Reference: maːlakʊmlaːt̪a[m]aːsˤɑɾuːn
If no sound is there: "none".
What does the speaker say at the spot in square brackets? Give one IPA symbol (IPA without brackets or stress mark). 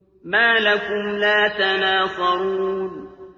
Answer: n